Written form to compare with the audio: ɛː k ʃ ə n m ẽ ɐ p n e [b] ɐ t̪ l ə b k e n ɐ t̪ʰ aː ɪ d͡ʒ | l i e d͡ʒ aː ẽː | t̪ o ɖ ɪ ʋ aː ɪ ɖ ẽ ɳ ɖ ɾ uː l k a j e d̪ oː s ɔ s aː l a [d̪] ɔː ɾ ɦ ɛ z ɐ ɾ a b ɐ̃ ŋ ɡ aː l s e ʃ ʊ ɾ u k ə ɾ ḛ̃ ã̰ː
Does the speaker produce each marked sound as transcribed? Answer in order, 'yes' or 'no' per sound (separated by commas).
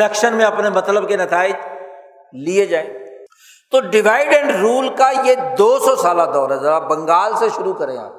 no, yes